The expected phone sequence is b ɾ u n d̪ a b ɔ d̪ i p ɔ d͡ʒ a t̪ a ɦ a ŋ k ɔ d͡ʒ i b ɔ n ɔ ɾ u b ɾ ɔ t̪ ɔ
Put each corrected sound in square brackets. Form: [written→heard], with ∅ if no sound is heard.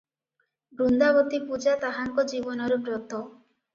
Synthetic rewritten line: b ɾ u n d̪ a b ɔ [d̪→t̪] i p [ɔ→u] d͡ʒ a t̪ a ɦ a ŋ k ɔ d͡ʒ i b ɔ n ɔ ɾ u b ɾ ɔ t̪ ɔ